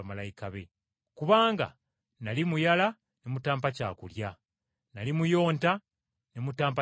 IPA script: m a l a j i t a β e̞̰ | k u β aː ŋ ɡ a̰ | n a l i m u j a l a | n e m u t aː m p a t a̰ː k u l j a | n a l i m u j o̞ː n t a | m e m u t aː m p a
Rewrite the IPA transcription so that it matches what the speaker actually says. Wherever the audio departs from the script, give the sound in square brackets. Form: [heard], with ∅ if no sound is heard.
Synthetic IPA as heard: m a l a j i [k] a β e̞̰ | k u β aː ŋ ɡ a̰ | n a l i m u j a l a | n e m u t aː m p a [c] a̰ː k u l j a | n a l i m u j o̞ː n t a | [n] e m u t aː m p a